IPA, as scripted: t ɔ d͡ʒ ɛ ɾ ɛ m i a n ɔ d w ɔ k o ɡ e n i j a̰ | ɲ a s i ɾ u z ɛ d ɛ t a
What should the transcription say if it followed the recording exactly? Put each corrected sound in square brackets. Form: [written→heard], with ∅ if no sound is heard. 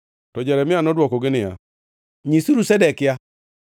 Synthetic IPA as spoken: t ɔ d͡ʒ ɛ ɾ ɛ m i a n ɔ d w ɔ k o ɡ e n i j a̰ | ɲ [a→i] s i ɾ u [z→s] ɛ d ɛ [t→k] a